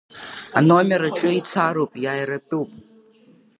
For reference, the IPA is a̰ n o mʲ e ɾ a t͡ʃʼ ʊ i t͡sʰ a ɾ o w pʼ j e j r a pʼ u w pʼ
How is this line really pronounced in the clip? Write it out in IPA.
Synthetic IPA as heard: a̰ n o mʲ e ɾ a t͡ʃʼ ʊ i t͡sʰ a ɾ o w pʼ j a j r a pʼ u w pʼ